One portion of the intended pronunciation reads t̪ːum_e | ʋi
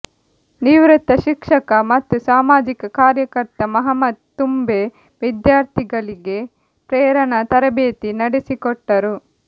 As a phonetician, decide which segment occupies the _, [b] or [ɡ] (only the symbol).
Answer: b